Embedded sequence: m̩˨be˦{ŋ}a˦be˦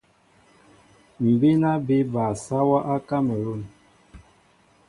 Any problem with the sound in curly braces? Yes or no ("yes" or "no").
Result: yes